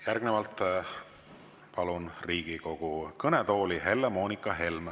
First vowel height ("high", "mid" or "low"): low